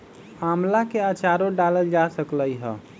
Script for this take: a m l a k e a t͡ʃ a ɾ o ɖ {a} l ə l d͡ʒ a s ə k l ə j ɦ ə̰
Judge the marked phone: correct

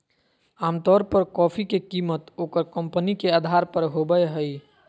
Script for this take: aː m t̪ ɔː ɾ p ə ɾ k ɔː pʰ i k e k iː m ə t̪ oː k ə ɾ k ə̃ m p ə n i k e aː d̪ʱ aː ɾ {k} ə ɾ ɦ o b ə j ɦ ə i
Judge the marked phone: incorrect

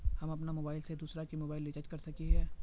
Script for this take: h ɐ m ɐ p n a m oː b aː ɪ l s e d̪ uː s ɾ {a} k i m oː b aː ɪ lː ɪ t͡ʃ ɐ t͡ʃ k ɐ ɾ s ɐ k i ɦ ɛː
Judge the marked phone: correct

